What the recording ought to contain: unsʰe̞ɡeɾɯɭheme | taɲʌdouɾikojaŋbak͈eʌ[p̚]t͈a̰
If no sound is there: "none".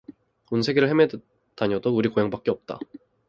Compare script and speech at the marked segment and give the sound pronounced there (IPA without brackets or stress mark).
p̚